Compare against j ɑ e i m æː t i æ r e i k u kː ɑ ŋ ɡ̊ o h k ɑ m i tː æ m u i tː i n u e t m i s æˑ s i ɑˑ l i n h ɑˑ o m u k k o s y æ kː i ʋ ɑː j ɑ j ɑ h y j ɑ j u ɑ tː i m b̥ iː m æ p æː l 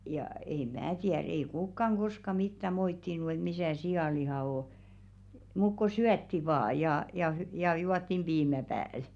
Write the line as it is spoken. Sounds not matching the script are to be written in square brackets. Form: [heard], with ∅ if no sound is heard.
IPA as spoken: j ɑ e i m æː t i æ r e i k u kː ɑ ŋ ɡ̊ o [s] k ɑ m i tː æ m [o] i tː i n u e t m i s æˑ s i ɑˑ l i [∅] h ɑˑ o m u k k o s y æ [tː] i ʋ ɑː j ɑ j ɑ h y j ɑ j u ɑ tː i m b̥ iː m æ p æː l